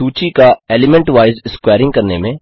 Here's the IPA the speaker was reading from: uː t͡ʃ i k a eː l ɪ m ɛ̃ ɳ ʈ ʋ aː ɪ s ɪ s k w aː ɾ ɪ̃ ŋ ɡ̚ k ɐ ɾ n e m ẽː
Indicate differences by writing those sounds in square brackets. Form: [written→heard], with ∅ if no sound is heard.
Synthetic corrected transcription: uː t͡ʃ i k a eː l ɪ m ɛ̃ ɳ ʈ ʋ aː ɪ [s→z] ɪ s k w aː ɾ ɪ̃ ŋ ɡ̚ k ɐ ɾ n e m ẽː